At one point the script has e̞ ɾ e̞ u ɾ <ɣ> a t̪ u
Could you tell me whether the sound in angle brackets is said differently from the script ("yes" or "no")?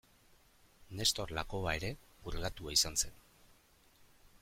no